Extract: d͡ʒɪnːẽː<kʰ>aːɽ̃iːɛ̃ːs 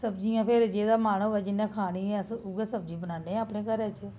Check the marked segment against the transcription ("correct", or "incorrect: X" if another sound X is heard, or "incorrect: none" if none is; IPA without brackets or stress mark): correct